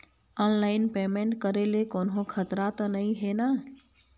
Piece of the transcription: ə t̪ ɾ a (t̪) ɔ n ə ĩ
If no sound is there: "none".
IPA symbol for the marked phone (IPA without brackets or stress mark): t̪